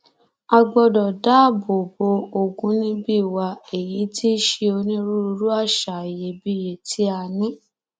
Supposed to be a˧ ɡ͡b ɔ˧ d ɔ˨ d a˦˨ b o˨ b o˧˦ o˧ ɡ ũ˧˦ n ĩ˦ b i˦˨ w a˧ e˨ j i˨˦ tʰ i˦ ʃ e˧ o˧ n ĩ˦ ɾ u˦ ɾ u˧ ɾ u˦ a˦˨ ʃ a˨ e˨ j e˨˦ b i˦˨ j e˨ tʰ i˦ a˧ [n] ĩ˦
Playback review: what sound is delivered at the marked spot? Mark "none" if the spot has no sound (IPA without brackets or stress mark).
n